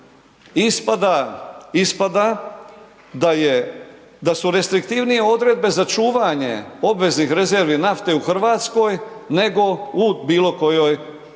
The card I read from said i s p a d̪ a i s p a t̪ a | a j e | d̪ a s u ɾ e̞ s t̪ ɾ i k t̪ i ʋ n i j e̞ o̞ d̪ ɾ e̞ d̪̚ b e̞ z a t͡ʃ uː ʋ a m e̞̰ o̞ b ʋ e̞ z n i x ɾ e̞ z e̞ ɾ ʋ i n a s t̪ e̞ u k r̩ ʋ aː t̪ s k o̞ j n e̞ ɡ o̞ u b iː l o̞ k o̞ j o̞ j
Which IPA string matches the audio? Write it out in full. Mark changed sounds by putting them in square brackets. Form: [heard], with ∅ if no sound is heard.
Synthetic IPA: i s p a d̪ a i s p a [d̪] a | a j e | d̪ a s u ɾ e̞ s t̪ ɾ i k t̪ i ʋ n i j e̞ o̞ d̪ ɾ e̞ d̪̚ b e̞ z a t͡ʃ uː ʋ a [ɲ] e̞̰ o̞ b ʋ e̞ z n i x ɾ e̞ z e̞ ɾ ʋ i n a [f] t̪ e̞ u [x] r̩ ʋ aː t̪ s k o̞ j n e̞ ɡ o̞ u b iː l o̞ k o̞ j o̞ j

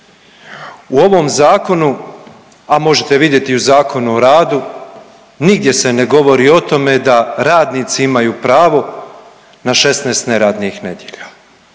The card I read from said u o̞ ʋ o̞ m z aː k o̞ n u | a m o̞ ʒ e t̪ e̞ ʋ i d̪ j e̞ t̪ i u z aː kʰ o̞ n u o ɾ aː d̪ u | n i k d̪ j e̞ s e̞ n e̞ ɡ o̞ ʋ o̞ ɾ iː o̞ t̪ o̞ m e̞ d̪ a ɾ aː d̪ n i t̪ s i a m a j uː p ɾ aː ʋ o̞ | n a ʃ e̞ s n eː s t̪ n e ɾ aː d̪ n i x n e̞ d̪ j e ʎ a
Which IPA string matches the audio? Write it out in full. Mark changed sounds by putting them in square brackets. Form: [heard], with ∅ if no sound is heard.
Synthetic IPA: u o̞ ʋ o̞ m z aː k o̞ n u | a m o̞ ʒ e t̪ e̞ ʋ i d̪ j e̞ t̪ i u z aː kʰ o̞ n u o ɾ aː d̪ u | n i [ɡ] d̪ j e̞ s e̞ n e̞ ɡ o̞ ʋ o̞ ɾ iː o̞ t̪ o̞ m e̞ d̪ a ɾ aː d̪ n i t̪ s i [i] m a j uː p ɾ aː ʋ o̞ | n a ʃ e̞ s n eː s t̪ n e ɾ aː d̪ n i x n e̞ d̪ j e ʎ a

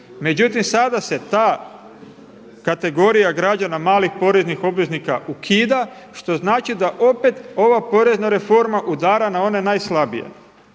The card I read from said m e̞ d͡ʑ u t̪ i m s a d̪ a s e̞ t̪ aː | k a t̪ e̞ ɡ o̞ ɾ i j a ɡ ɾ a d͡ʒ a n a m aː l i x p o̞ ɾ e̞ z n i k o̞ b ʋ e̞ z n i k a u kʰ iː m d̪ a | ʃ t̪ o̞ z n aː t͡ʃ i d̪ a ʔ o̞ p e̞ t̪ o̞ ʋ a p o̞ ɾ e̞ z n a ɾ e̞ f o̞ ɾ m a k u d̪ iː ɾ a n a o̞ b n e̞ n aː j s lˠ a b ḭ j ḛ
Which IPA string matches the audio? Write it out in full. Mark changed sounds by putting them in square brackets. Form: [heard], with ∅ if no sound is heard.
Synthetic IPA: m e̞ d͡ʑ u t̪ i m s a d̪ a s e̞ t̪ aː | k a t̪ e̞ ɡ o̞ ɾ i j a ɡ ɾ a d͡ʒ a n a m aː l i x p o̞ ɾ e̞ z n i [x] o̞ b ʋ e̞ z n i k a u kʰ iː [∅] d̪ a | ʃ t̪ o̞ z n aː t͡ʃ i d̪ a ʔ o̞ p e̞ t̪ o̞ ʋ a p o̞ ɾ e̞ z n a ɾ e̞ f o̞ ɾ m a [ʔ] u d̪ [aː] ɾ a n a o̞ [∅] n e̞ n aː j s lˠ a b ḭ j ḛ

